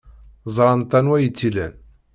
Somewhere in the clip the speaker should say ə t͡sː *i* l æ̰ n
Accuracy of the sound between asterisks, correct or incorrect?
correct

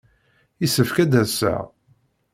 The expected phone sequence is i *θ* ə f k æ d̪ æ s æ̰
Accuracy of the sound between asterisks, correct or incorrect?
incorrect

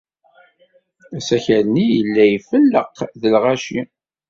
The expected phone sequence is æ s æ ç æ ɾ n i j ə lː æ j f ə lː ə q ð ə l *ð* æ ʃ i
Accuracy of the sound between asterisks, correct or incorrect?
incorrect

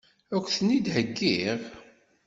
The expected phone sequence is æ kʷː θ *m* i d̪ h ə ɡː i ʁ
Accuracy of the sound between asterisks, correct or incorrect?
incorrect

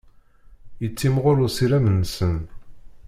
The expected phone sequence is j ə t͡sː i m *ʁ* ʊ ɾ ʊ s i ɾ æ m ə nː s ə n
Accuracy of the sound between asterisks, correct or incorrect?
correct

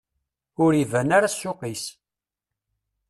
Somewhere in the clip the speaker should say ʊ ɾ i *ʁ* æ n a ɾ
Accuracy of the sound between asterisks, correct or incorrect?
incorrect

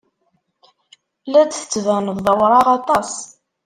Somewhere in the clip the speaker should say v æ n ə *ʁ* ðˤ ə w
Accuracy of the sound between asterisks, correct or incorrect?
incorrect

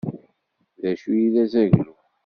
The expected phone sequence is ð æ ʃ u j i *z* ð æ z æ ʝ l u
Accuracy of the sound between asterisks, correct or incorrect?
incorrect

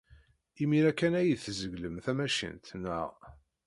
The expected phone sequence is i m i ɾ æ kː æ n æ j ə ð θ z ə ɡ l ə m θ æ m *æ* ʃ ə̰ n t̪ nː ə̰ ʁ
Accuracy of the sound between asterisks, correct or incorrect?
correct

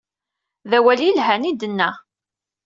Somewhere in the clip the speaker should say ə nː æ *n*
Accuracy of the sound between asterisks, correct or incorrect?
incorrect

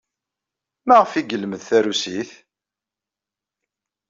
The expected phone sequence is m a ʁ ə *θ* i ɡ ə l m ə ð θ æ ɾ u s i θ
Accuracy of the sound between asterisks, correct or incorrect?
incorrect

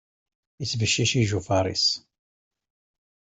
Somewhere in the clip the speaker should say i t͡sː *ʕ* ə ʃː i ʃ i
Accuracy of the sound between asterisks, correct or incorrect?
incorrect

